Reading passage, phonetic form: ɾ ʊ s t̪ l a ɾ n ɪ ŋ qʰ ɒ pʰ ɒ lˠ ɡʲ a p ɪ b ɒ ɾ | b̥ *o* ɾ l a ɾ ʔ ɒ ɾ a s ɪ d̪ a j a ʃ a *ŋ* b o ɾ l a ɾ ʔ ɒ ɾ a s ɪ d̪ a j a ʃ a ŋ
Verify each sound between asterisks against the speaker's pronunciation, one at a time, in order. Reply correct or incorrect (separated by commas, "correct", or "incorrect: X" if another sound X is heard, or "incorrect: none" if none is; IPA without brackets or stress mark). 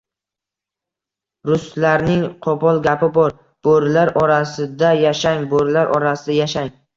correct, correct